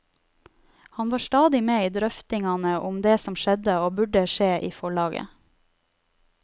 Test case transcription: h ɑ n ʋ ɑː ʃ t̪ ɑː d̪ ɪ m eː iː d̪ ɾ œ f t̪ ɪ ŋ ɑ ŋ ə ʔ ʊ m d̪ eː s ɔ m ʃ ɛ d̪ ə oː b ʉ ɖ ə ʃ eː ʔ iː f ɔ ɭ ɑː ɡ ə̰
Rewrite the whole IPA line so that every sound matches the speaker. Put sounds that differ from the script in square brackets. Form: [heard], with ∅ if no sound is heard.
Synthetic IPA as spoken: h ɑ n ʋ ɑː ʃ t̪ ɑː d̪ ɪ m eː iː d̪ ɾ œ f t̪ ɪ ŋ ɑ [n] ə ʔ ʊ m d̪ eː s ɔ m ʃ ɛ d̪ ə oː b ʉ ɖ ə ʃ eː ʔ iː f ɔ ɭ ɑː ɡ ə̰